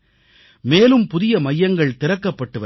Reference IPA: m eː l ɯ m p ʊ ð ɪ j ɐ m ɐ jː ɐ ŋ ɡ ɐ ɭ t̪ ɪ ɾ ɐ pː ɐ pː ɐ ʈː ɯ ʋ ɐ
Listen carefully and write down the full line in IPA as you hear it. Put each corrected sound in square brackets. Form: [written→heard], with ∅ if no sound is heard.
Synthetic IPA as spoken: m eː l ɯ m p ʊ ð ɪ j ɐ m ɐ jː ɐ ŋ ɡ ɐ ɭ t̪ ɪ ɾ ɐ [pː→kː] ɐ pː ɐ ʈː ɯ ʋ ɐ

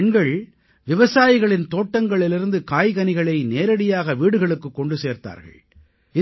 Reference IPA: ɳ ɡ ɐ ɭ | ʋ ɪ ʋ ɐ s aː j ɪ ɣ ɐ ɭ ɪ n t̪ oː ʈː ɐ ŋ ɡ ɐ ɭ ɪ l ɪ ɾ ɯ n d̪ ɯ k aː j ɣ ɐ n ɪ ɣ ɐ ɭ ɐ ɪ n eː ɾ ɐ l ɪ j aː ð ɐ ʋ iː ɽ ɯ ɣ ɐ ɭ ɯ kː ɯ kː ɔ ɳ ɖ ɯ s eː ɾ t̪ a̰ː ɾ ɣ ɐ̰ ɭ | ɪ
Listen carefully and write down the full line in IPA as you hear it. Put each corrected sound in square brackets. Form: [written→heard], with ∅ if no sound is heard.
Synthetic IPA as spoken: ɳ ɡ ɐ ɭ | ʋ ɪ ʋ ɐ s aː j ɪ ɣ ɐ ɭ ɪ n t̪ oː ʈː ɐ ŋ ɡ ɐ ɭ ɪ l ɪ ɾ ɯ n d̪ ɯ k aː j ɣ ɐ n ɪ ɣ ɐ ɭ ɐ ɪ n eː ɾ ɐ [l→ɽ] ɪ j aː [ð→ɣ] ɐ ʋ iː ɽ ɯ ɣ ɐ ɭ ɯ kː ɯ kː ɔ ɳ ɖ ɯ s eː ɾ t̪ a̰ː ɾ ɣ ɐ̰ ɭ | ɪ

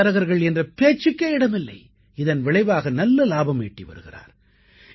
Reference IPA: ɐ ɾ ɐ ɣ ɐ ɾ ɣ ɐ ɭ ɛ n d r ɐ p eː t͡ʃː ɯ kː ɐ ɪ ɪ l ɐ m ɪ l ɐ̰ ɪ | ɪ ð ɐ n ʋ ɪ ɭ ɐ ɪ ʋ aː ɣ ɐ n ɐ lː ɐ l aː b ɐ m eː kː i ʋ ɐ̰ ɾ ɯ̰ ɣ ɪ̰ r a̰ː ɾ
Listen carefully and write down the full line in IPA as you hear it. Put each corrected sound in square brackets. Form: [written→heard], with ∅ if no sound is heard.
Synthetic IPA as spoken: ɐ ɾ ɐ ɣ ɐ ɾ ɣ ɐ ɭ ɛ n d r ɐ p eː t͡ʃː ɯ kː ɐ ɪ ɪ [l→ɽ] ɐ m ɪ [l→lː] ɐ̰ ɪ | ɪ ð ɐ n ʋ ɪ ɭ ɐ ɪ ʋ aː ɣ ɐ n ɐ lː ɐ l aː b ɐ m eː [kː→ʈː] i ʋ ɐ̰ ɾ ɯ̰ ɣ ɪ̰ r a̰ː ɾ

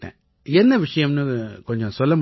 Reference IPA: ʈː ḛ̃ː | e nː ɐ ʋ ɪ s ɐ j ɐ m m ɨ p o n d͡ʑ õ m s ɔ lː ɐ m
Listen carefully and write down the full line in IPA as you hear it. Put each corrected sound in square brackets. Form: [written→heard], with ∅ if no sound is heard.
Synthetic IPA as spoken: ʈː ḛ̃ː | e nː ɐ ʋ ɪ [s→ʂ] ɐ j ɐ m [m→n] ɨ [p→k] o [n→ɲ] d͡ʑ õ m s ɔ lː ɐ m

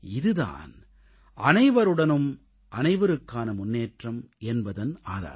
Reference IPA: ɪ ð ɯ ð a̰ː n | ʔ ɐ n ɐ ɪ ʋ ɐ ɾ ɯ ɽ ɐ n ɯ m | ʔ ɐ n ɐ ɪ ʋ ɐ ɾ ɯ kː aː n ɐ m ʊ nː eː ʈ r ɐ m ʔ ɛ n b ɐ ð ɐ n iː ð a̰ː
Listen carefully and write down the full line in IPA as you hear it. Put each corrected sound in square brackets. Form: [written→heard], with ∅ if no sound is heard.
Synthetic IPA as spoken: ɪ ð ɯ ð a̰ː n | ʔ ɐ n ɐ ɪ ʋ ɐ ɾ ɯ ɽ ɐ n ɯ m | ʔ ɐ n ɐ ɪ ʋ ɐ ɾ ɯ kː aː n ɐ m ʊ nː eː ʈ r ɐ m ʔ ɛ n b ɐ ð ɐ n [iː→aː] ð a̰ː

